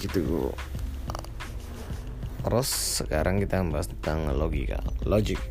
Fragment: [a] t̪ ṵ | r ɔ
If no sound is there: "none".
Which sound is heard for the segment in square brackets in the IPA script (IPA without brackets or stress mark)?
i